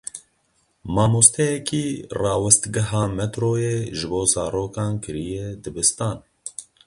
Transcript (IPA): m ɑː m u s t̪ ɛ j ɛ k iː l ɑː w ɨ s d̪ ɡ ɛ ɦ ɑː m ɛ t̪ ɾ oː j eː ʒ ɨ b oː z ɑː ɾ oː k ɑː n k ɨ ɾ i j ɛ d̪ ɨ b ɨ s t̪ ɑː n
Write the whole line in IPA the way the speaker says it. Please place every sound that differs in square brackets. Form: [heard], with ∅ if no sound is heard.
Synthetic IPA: m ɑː m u s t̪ ɛ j ɛ k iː [r] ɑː w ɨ s [t̪] ɡ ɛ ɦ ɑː m ɛ t̪ ɾ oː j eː ʒ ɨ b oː z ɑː ɾ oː k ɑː n k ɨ ɾ i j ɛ d̪ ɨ b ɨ s t̪ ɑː n

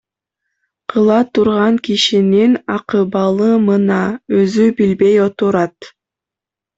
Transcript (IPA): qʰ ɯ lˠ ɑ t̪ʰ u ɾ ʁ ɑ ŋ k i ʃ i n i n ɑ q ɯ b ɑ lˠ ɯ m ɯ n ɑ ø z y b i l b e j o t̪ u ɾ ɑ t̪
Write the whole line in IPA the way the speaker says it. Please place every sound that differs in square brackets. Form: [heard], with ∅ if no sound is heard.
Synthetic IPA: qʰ ɯ lˠ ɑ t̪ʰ u ɾ ʁ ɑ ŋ k i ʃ i n i n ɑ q ɯ b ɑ lˠ ɯ m ɯ n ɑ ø z y b i l b e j o t̪ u ɾ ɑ t̪

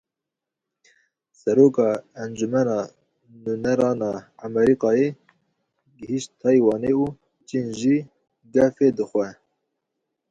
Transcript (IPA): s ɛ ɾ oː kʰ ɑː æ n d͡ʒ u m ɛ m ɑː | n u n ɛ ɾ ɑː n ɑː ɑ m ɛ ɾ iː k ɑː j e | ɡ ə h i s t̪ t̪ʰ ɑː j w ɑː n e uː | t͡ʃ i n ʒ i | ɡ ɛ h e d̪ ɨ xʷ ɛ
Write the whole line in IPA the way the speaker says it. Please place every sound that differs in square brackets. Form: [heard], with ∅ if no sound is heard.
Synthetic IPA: s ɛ ɾ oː [k] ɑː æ n d͡ʒ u m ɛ [n] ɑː | n u n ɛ ɾ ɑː n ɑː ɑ m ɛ ɾ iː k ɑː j e | ɡ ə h i [ʃ] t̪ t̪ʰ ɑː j w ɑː n e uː | t͡ʃ i n ʒ i | ɡ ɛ [f] e d̪ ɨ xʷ ɛ

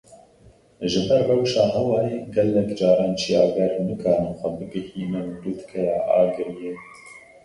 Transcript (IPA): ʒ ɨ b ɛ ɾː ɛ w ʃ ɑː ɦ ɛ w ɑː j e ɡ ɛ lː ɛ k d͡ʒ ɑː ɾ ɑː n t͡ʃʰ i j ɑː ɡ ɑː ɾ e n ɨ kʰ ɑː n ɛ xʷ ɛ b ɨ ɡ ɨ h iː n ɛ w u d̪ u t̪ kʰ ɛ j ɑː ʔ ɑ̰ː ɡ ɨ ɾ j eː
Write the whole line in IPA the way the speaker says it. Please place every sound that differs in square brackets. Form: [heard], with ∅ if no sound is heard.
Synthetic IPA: ʒ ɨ b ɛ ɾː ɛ w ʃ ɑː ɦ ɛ w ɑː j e ɡ ɛ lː ɛ k d͡ʒ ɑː ɾ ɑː n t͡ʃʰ i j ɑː ɡ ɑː ɾ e n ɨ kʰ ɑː n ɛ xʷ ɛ b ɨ ɡ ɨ h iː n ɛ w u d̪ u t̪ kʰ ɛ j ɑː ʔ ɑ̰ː ɡ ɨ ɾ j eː

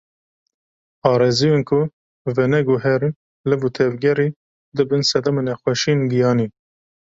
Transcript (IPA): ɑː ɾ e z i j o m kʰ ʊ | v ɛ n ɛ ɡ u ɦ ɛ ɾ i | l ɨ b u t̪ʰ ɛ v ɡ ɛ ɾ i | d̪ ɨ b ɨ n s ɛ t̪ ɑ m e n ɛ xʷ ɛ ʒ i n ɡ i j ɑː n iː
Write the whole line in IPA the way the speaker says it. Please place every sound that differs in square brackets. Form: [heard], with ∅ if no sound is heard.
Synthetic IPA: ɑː ɾ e z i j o [n] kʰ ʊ | v ɛ n ɛ ɡ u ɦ ɛ ɾ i | l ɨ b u t̪ʰ ɛ v ɡ ɛ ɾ i | d̪ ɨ b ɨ n s ɛ [d̪] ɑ m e n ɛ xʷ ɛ [ʃ] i n ɡ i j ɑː n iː

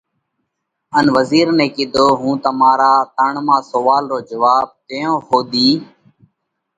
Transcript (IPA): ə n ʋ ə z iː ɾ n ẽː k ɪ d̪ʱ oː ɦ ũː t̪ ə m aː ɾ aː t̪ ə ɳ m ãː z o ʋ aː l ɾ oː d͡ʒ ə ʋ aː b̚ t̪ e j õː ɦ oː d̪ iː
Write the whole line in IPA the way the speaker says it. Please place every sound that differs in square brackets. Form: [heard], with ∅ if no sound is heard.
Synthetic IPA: ə n ʋ ə z iː ɾ n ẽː k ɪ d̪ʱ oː ɦ ũː t̪ ə m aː ɾ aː t̪ ə ɳ m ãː [s] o ʋ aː l ɾ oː d͡ʒ ə ʋ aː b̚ t̪ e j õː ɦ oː d̪ iː

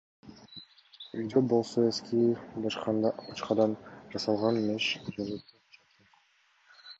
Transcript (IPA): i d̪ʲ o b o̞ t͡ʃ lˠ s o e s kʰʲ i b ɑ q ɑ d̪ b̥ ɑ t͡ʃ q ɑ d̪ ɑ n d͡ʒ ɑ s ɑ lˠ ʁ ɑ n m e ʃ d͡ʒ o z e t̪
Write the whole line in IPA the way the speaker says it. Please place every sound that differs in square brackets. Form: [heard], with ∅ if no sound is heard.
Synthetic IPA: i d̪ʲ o b o̞ [∅] lˠ s o e s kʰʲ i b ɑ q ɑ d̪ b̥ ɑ t͡ʃ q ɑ d̪ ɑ n d͡ʒ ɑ s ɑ lˠ ʁ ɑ n m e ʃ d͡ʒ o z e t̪

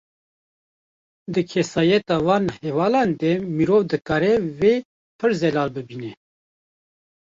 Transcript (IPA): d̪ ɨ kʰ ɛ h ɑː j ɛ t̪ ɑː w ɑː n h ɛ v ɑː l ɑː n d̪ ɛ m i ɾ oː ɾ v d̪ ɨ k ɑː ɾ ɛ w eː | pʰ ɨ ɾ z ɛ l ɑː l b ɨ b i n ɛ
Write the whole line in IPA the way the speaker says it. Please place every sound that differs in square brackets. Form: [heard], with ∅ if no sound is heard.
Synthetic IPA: d̪ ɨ kʰ ɛ [s] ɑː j ɛ t̪ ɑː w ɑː n h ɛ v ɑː l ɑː n d̪ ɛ m i ɾ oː [∅] v d̪ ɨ k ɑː ɾ ɛ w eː | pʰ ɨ ɾ z ɛ l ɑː l b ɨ b i n ɛ

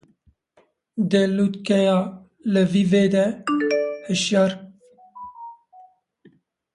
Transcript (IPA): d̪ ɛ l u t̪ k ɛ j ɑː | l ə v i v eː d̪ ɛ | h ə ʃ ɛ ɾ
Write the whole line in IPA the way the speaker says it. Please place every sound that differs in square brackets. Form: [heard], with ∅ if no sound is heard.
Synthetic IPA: d̪ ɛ l u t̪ k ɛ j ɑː | l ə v i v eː d̪ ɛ | h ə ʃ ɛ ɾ

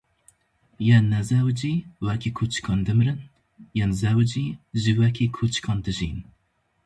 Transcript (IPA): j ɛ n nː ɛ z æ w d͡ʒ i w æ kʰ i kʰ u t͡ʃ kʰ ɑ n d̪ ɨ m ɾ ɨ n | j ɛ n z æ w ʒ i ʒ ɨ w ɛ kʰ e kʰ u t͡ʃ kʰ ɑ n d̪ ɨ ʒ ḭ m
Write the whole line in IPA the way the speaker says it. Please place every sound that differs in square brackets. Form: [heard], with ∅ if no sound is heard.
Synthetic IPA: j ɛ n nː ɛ z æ w d͡ʒ i w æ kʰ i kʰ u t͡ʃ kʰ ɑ n d̪ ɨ m ɾ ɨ n | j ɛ n z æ w [d͡ʒ] i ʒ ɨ w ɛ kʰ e kʰ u t͡ʃ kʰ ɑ n d̪ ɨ ʒ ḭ [n]

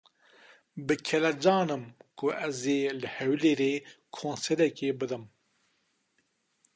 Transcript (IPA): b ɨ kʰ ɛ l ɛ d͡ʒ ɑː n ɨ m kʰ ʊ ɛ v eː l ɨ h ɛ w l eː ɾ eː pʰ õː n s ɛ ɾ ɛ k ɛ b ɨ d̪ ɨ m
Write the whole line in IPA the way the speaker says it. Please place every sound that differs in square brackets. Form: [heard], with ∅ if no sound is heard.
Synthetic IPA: b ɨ kʰ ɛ l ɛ d͡ʒ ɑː n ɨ m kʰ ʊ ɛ [z] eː l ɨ h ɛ w l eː ɾ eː [kʰ] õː n s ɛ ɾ ɛ k [e] b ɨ d̪ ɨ m

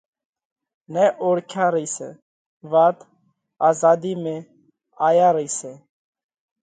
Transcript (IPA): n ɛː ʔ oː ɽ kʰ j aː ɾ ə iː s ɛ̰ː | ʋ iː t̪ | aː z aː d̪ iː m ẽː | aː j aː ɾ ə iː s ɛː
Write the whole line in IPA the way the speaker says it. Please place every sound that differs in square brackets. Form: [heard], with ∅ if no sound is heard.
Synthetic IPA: n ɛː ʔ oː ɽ kʰ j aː ɾ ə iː s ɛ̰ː | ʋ [aː] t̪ | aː z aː d̪ iː m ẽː | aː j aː ɾ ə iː s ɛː

